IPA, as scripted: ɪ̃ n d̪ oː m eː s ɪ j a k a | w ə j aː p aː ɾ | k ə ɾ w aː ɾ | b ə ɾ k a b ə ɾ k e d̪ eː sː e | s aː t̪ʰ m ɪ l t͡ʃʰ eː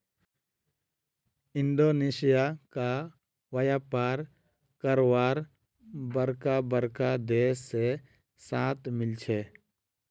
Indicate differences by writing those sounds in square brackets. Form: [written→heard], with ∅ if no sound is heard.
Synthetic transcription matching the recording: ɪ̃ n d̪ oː [m→n] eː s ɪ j a k a | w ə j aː p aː ɾ | k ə ɾ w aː ɾ | b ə ɾ k a b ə ɾ k [e→a] d̪ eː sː e | s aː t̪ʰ m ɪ l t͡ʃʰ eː